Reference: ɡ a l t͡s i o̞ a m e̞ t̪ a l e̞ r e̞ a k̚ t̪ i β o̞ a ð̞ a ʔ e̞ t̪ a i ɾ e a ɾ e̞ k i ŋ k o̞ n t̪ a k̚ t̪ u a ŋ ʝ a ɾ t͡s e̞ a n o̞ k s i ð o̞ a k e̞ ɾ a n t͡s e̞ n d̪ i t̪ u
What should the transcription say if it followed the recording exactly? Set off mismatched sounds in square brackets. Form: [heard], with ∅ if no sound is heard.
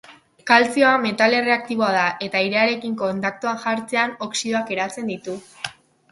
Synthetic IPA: [k] a l t͡s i o̞ a m e̞ t̪ a l e̞ r e̞ a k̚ t̪ i β o̞ a ð̞ a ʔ e̞ t̪ a i ɾ e a ɾ e̞ k i ŋ k o̞ n t̪ a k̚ t̪ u a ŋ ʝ a ɾ t͡s e̞ a n o̞ k s i ð o̞ a k e̞ ɾ a [∅] t͡s e̞ n d̪ i t̪ u

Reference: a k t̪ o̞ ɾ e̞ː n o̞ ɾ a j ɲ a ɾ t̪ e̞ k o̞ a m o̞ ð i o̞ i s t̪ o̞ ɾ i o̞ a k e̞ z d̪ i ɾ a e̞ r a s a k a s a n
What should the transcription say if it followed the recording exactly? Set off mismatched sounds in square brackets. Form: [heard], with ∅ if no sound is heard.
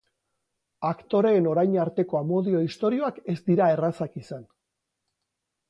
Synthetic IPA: a k t̪ o̞ ɾ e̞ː n o̞ ɾ a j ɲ a ɾ t̪ e̞ k o̞ a m o̞ ð i o̞ i s t̪ o̞ ɾ i o̞ a k e̞ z d̪ i ɾ a e̞ r a s a k [i] s a n

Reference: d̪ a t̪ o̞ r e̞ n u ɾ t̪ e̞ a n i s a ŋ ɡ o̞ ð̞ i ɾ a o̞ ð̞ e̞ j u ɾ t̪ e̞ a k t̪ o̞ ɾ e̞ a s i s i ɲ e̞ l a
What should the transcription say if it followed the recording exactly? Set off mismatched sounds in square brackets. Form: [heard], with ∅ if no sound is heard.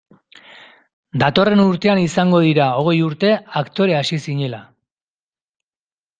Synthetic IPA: d̪ a t̪ o̞ r e̞ n u ɾ t̪ e̞ a n i s a ŋ ɡ o̞ ð̞ i ɾ a o̞ [ɣ̞] e̞ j u ɾ t̪ e̞ a k t̪ o̞ ɾ e̞ a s i s i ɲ e̞ l a

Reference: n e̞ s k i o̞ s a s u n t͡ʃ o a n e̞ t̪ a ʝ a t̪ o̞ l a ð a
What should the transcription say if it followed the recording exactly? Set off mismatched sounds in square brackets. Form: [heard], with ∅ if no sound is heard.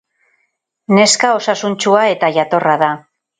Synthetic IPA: n e̞ s k [a] o̞ s a s u n t͡ʃ [u] a [∅] e̞ t̪ a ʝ a t̪ o̞ [r] a ð a

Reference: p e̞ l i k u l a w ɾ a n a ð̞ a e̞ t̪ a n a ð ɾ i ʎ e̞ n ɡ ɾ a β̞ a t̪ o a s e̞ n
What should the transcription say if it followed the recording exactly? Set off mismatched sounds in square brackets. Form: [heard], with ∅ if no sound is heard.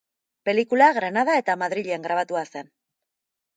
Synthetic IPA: p e̞ l i k u l a [ɣ] ɾ a n a ð̞ a e̞ t̪ a [m] a ð ɾ i ʎ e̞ [ŋ] ɡ ɾ a β̞ a t̪ [u] a s e̞ n

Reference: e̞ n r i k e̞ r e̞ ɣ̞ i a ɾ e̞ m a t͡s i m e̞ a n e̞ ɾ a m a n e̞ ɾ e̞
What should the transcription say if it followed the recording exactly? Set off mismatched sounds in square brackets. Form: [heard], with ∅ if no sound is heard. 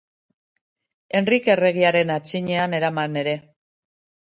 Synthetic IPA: e̞ n r i k e̞ r e̞ ɣ̞ i a ɾ e̞ [n] a t͡s i [ɲ] e̞ a n e̞ ɾ a m a n e̞ ɾ e̞

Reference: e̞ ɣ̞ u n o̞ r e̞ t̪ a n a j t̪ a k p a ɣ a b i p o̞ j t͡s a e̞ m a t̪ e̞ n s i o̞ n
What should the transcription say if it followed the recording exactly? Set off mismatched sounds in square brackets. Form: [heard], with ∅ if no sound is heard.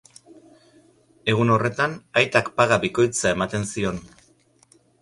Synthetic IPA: e̞ ɣ̞ u n o̞ r e̞ t̪ a n a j t̪ a k p a ɣ a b i [k] o̞ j t͡s a e̞ m a t̪ e̞ n s i o̞ n

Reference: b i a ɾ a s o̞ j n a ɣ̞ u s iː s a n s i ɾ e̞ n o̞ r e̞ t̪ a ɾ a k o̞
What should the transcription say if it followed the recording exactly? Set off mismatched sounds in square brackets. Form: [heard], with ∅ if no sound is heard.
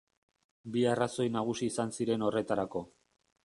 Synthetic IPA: b i a [r] a s o̞ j n a ɣ̞ u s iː s a n s i ɾ e̞ n o̞ r e̞ t̪ a ɾ a k o̞

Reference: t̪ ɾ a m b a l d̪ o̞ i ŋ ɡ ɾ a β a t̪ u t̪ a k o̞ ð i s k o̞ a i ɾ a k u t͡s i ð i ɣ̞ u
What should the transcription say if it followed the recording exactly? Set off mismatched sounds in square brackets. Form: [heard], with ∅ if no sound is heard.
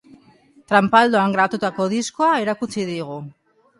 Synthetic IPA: t̪ ɾ a m [p] a l d̪ o̞ [a] ŋ ɡ ɾ a β a t̪ u t̪ a k o̞ ð i s k o̞ a [e] ɾ a k u t͡s i ð i ɣ̞ u

